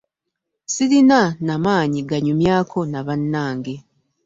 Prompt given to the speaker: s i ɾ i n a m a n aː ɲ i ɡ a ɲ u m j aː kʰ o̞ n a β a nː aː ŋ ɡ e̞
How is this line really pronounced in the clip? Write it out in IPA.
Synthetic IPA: s i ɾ i n a n a m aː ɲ i ɡ a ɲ u m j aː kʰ o̞ n a β a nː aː ŋ ɡ e̞